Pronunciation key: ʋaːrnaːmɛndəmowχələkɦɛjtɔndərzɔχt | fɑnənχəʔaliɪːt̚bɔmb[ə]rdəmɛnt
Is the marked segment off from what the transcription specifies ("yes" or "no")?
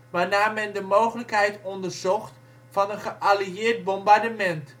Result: yes